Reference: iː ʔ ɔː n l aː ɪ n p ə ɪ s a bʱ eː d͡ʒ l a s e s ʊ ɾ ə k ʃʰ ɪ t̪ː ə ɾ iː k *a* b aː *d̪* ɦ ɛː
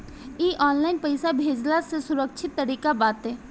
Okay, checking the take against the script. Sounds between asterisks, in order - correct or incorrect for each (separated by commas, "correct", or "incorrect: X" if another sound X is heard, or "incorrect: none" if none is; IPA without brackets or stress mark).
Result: correct, incorrect: t̪